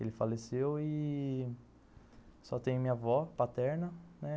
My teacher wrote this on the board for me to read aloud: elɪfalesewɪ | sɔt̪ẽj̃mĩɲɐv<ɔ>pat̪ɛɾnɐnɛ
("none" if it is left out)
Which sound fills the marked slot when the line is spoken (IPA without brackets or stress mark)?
ɔ